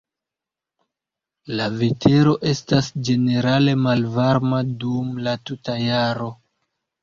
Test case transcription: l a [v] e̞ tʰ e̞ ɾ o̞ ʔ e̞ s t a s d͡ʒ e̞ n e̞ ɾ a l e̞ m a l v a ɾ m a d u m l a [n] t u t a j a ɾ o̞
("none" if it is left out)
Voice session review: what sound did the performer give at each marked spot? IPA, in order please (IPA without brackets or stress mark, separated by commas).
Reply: v, none